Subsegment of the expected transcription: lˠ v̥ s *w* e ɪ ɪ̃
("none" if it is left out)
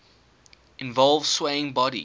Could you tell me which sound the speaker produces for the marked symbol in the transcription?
w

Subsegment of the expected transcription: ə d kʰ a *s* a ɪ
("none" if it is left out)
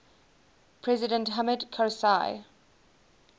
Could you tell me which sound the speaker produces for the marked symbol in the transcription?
s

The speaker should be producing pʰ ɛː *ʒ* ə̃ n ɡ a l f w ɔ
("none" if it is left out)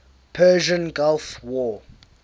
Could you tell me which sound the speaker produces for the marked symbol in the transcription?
ʒ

